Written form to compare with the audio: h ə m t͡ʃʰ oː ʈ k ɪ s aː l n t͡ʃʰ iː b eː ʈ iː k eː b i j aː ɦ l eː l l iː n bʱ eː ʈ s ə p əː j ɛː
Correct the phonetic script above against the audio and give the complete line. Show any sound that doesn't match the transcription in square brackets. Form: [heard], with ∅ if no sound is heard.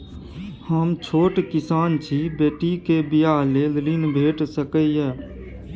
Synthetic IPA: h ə m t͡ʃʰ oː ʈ k ɪ s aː [∅] n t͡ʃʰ iː b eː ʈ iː k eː b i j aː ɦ l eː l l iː n bʱ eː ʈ s ə [k] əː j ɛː